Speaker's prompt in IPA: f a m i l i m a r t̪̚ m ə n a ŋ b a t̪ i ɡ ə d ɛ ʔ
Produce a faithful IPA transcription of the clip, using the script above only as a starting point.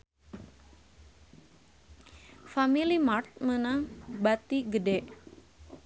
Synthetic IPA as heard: f a m i l i m a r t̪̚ m ə n a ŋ b a t̪ i ɡ ə d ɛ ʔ